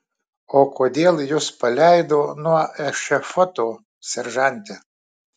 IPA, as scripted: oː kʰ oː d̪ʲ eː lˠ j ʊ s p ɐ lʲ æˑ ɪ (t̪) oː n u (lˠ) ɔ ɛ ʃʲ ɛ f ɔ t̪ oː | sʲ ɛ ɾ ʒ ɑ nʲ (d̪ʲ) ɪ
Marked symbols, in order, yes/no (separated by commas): no, no, no